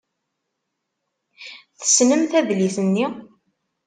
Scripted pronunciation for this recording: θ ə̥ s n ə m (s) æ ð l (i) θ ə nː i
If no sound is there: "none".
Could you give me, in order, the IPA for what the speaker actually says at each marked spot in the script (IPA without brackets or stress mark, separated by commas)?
θ, i